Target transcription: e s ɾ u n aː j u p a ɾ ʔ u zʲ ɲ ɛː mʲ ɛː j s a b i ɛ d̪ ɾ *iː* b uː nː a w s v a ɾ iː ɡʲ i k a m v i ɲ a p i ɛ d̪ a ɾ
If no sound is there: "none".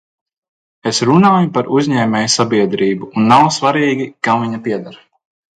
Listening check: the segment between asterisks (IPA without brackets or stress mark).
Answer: iː